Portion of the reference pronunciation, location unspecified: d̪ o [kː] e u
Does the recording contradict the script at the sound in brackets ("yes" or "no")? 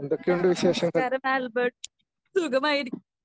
no